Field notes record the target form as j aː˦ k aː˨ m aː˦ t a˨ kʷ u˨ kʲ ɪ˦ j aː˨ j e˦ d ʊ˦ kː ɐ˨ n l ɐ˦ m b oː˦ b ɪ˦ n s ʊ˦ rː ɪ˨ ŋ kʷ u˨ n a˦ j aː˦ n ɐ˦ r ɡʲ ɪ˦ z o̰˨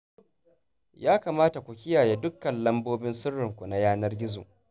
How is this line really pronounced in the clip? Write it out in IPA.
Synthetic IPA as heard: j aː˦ k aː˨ m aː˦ t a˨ kʷ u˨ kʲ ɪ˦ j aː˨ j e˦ d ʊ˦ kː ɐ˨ n l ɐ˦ m b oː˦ b ɪ˦ n s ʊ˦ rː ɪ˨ ŋ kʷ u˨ n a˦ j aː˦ n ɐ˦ r ɡʲ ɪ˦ z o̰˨